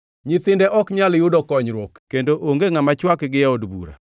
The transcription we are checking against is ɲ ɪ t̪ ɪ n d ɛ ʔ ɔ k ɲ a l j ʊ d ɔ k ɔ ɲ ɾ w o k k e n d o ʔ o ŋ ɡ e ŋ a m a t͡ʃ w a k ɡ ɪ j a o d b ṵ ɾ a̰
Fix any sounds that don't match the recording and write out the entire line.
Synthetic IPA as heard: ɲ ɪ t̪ ɪ n d ɛ ʔ ɔ k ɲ a l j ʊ d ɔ k ɔ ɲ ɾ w o k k e n d o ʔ o ŋ ɡ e ŋ a m a t͡ʃ w a k ɡ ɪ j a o d b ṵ ɾ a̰